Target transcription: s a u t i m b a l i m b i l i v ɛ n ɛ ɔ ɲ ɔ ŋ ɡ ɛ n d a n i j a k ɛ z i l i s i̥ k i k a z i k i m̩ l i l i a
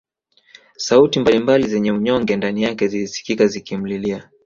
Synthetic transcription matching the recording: s a u t i m b a l i m b a l i z ɛ ɲ ɛ u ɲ ɔ ŋ ɡ ɛ n d a n i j a k ɛ z i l i s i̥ k i k a z i k i m̩ l i l i a